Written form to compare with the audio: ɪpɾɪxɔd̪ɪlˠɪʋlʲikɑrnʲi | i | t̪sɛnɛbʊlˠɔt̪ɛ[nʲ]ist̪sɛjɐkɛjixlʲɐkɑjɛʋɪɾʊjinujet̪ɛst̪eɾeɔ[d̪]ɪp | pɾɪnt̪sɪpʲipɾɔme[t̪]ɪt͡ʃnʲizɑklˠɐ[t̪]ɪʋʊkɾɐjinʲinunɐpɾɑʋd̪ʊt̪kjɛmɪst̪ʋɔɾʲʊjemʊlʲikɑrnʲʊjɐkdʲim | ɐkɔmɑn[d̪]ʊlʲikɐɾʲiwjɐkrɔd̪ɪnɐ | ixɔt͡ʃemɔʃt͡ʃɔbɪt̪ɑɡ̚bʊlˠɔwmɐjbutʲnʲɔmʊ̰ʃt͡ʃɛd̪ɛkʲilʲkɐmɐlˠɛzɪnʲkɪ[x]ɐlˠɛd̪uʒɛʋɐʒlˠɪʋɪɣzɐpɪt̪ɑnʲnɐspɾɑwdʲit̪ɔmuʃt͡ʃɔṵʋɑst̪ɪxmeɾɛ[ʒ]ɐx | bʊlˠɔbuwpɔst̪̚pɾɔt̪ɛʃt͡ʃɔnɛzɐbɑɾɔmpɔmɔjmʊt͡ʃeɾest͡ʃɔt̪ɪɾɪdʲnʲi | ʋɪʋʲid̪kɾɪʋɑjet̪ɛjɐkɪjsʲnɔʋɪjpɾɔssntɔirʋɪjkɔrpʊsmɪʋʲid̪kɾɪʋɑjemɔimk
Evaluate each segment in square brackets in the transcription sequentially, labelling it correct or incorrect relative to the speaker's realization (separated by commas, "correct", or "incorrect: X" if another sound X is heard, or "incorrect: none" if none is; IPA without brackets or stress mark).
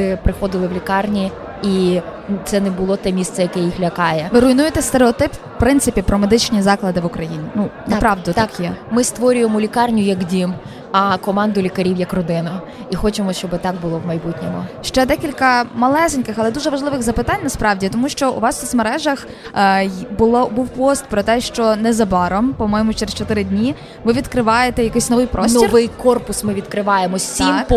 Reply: incorrect: mʲ, incorrect: t̪, incorrect: d̪, incorrect: d̪, correct, correct, correct